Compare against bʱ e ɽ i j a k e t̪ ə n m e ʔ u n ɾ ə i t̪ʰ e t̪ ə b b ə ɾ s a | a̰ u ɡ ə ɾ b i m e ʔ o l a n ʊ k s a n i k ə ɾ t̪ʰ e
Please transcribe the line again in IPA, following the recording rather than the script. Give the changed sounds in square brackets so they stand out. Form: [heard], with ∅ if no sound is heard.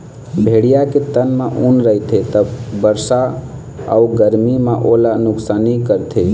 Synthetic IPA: bʱ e ɽ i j a k e t̪ ə n m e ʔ u n ɾ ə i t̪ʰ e t̪ ə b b ə ɾ s a | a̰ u ɡ ə ɾ [m] i m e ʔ o l a n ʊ k s a n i k ə ɾ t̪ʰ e